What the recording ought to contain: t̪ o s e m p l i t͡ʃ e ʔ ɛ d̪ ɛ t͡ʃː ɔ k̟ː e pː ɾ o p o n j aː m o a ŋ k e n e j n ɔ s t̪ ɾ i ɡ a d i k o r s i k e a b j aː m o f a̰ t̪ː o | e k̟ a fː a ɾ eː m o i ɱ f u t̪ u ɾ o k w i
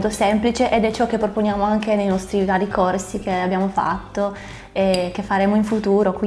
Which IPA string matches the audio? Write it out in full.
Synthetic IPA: t̪ o s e m p l i t͡ʃ e ʔ e d̪ ɛ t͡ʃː ɔ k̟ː e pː ɾ o p o n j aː m o a ŋ k e n e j n ɔ s t̪ ɾ i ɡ a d i k o r s i k e a b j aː m o f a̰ t̪ː o | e k̟ e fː a ɾ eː m o i ɱ f u t̪ uː ɾ o k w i